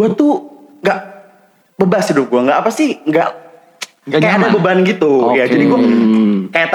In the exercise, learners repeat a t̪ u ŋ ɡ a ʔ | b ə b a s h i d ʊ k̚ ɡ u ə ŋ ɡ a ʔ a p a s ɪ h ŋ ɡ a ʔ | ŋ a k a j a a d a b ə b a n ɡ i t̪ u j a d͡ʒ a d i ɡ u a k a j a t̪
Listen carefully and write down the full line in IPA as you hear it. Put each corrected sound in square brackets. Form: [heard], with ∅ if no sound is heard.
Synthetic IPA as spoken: a t̪ u ŋ ɡ a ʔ | b ə b a s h i d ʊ [p̚] ɡ u [a] ŋ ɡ a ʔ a p a s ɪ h ŋ ɡ a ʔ | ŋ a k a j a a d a b ə b a n ɡ i t̪ u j a d͡ʒ a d i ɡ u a k a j a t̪